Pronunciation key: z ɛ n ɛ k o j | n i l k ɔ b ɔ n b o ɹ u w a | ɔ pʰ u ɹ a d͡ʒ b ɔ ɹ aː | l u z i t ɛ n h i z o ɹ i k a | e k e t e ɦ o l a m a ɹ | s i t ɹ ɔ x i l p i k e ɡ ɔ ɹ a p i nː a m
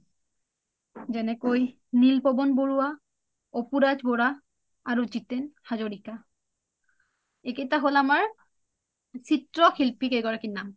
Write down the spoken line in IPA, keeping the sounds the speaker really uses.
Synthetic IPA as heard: z ɛ n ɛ k o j | n i l p ɔ b ɔ n b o ɹ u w a | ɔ p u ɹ a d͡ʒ b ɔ ɹ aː | ɹ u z i t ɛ n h a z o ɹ i k a | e k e t a ɦ o l a m a ɹ | s i t ɹ ɔ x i l p i k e ɡ ɔ ɹ a k i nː a m